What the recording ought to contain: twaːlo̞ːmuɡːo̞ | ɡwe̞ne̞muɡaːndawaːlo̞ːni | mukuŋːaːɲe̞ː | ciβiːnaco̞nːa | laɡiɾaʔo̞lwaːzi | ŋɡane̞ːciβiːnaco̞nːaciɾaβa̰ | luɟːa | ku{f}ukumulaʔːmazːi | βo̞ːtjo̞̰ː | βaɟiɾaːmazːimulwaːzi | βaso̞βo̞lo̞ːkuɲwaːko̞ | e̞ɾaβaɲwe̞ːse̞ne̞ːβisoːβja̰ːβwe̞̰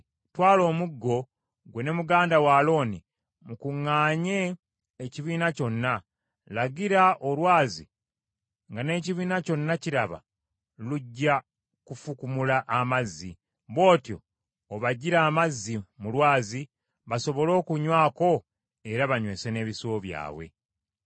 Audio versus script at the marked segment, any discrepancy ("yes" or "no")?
no